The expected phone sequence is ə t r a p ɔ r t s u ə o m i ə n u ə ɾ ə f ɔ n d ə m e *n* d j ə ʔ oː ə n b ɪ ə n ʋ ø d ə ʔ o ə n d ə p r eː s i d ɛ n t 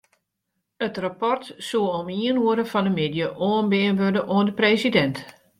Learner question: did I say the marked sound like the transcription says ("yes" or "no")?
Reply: no